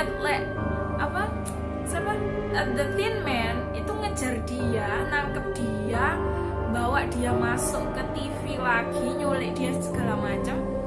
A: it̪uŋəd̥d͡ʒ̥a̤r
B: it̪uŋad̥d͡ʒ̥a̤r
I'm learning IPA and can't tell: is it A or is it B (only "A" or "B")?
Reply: A